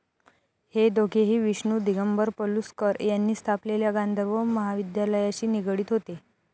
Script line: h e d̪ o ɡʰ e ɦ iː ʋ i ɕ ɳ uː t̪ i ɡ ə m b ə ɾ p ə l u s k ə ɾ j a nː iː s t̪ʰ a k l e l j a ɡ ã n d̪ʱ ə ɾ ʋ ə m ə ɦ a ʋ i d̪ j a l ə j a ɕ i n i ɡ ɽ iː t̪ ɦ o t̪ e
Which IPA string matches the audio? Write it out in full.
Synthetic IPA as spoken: h e d̪ o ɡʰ e ɦ iː ʋ i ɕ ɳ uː d̪ i ɡ ə m b ə ɾ p ə l u s k ə ɾ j a nː iː s t̪ʰ a p l e l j a ɡ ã n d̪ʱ ə ɾ ʋ ə m ə ɦ a ʋ i d̪ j a l ə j a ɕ iː n i ɡ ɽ iː t̪ ɦ o t̪ e